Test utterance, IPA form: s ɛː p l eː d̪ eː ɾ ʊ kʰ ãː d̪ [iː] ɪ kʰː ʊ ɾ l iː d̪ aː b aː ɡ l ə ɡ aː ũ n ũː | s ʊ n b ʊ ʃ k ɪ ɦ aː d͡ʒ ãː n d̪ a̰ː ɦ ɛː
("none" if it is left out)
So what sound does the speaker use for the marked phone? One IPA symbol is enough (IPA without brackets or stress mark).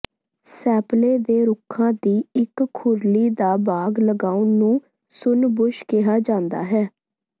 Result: iː